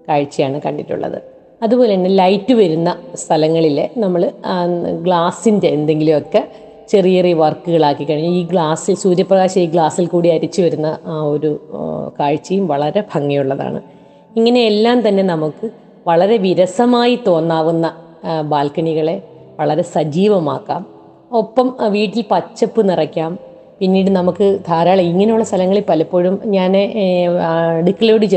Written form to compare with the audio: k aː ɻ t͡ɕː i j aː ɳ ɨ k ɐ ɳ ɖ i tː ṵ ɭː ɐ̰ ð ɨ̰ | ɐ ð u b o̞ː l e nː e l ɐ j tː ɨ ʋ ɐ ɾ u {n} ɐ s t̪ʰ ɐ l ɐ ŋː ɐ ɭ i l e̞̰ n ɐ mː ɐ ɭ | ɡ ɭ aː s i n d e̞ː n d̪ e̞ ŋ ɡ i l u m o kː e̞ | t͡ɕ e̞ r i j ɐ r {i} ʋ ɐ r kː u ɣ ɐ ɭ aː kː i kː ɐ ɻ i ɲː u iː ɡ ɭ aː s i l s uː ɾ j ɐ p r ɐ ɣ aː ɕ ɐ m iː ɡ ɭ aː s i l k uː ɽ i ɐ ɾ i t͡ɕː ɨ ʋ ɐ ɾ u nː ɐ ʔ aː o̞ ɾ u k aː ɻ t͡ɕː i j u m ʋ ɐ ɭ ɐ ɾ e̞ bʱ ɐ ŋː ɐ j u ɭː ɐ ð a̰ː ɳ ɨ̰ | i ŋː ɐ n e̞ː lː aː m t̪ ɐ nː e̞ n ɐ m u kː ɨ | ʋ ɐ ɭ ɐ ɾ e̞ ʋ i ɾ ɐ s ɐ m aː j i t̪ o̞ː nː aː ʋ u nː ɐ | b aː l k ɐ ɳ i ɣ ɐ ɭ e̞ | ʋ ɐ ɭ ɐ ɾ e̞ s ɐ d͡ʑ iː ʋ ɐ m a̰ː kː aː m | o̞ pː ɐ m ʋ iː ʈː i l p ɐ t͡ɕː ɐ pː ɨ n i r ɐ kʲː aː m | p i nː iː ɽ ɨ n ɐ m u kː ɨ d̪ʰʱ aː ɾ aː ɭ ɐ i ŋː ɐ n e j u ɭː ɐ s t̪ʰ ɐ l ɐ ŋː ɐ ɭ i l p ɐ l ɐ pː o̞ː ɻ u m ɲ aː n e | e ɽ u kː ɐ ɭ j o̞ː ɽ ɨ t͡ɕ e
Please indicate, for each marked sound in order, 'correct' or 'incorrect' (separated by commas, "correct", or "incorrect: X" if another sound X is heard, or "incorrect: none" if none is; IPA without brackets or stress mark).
incorrect: nː, correct